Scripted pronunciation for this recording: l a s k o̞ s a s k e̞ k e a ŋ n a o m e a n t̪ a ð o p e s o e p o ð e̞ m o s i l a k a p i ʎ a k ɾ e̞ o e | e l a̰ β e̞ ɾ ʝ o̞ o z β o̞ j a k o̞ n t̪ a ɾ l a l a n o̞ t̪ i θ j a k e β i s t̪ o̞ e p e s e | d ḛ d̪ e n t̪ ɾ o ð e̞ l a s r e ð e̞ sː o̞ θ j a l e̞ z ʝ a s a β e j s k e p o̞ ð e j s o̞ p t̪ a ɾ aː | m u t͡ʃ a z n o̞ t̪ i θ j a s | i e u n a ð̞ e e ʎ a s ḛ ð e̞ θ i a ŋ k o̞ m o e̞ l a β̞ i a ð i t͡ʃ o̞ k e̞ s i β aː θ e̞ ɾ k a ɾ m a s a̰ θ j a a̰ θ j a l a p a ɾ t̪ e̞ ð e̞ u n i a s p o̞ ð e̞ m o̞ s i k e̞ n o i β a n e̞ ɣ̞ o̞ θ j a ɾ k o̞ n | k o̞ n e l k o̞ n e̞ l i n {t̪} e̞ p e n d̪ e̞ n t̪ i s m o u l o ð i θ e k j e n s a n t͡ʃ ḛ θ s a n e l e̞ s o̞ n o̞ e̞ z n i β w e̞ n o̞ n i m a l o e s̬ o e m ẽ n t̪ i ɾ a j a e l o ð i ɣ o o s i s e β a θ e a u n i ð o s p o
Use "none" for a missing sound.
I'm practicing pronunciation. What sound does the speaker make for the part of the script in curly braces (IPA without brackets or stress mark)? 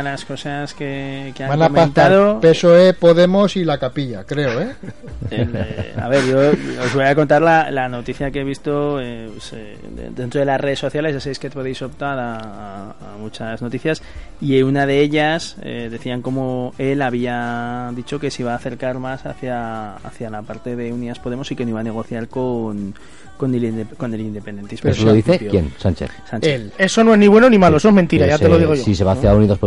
d̪